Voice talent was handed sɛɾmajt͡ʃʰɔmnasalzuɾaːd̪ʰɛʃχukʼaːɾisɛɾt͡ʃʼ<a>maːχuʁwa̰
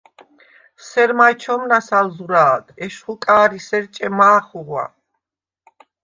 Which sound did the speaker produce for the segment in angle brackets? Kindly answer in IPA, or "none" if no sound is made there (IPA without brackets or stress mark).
ɛ